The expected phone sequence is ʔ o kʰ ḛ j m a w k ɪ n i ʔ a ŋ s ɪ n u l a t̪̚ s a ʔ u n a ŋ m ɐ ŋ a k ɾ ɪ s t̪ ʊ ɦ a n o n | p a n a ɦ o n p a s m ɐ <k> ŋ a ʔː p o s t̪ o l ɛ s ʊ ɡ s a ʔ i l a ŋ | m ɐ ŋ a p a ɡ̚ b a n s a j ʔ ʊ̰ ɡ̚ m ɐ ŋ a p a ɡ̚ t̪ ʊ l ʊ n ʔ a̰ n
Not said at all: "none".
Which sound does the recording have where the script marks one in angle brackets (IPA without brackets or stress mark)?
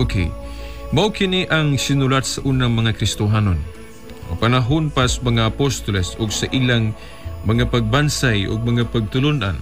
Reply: none